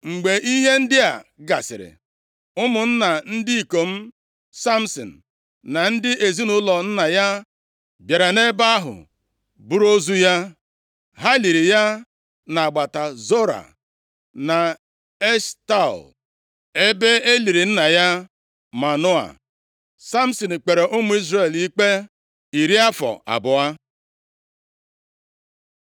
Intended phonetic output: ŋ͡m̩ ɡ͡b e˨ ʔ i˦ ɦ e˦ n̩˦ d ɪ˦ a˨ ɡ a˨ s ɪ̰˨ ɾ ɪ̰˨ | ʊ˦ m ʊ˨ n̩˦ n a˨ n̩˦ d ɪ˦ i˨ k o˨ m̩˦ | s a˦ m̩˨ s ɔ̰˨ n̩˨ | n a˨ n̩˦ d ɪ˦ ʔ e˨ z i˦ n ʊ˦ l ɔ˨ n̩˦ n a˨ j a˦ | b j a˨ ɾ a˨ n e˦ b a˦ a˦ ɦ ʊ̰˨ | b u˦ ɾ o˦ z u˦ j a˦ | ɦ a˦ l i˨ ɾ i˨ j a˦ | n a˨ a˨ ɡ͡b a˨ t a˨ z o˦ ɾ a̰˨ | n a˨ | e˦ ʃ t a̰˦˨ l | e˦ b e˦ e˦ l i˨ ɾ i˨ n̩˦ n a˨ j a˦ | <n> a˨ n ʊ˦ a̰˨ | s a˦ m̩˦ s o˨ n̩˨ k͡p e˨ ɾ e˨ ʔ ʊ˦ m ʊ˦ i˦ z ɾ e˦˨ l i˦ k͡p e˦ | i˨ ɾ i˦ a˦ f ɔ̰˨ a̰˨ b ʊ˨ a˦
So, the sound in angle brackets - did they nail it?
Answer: no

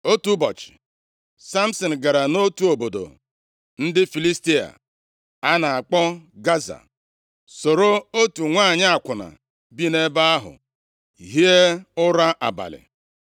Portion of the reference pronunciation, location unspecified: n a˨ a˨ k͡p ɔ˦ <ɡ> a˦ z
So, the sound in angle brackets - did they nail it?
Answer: yes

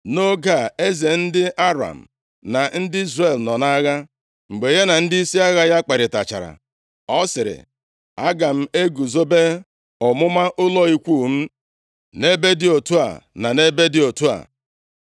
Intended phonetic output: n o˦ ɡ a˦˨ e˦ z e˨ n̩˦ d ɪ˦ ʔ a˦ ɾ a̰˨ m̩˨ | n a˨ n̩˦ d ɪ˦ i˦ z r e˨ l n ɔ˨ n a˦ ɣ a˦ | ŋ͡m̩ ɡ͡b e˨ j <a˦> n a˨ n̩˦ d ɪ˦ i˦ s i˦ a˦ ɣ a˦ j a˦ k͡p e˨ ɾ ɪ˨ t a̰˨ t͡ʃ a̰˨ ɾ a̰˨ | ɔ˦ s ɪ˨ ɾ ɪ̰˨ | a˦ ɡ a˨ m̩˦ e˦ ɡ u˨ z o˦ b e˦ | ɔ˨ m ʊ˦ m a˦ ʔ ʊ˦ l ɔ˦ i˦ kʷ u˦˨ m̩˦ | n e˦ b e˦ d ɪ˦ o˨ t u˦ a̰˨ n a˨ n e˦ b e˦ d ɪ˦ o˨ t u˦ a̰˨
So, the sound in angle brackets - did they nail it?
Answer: no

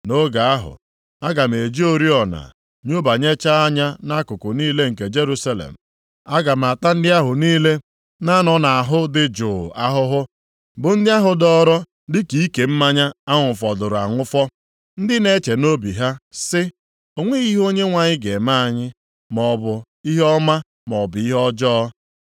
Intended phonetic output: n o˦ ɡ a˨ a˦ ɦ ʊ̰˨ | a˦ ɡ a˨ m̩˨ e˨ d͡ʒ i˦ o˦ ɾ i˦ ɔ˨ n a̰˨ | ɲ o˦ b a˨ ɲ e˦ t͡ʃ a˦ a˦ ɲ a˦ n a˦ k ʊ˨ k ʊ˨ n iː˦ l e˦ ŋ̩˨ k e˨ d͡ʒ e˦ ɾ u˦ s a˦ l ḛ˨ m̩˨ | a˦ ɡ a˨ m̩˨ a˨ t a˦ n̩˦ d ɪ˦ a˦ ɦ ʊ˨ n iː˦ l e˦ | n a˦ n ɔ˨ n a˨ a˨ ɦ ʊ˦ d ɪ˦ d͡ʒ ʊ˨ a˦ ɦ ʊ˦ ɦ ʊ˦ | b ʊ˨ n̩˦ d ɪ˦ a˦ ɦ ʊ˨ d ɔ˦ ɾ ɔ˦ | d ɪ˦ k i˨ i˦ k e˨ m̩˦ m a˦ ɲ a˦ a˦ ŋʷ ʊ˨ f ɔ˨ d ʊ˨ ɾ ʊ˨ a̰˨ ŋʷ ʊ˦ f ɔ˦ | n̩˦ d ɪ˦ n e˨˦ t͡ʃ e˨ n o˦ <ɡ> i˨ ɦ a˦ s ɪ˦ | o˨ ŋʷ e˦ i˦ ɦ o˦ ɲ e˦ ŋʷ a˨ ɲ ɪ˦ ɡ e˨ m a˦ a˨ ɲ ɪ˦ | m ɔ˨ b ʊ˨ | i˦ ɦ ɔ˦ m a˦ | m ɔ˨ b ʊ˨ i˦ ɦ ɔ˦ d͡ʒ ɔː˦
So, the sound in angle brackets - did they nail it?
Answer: no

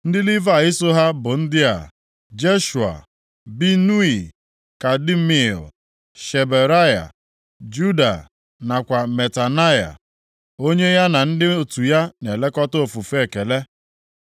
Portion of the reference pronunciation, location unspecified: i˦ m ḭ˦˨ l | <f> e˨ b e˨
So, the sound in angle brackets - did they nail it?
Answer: no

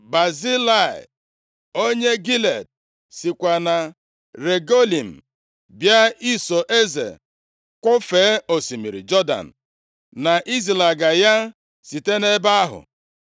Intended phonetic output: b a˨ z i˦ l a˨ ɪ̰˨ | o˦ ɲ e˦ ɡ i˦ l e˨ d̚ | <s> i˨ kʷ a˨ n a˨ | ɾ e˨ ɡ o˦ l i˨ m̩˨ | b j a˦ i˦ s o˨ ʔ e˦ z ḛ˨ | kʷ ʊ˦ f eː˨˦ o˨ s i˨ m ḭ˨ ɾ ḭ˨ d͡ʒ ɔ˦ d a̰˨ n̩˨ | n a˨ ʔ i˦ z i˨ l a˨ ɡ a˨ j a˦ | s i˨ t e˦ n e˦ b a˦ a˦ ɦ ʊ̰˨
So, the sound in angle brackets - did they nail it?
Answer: yes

